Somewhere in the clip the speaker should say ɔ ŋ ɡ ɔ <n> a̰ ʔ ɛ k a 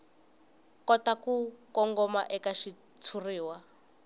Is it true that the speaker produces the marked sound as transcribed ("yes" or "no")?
no